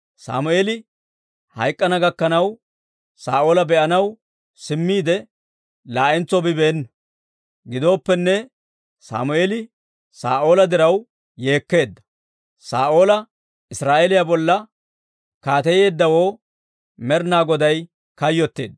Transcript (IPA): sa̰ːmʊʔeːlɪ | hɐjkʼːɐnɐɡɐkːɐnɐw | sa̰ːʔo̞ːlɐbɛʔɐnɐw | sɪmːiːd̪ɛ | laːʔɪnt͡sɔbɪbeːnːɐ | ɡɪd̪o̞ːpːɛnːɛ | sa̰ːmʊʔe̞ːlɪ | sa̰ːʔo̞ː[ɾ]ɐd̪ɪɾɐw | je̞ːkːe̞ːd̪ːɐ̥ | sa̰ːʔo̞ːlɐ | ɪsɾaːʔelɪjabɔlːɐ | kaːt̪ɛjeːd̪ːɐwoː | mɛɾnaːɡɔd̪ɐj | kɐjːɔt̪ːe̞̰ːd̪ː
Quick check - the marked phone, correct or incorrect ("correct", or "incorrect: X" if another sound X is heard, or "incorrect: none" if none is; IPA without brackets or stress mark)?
incorrect: l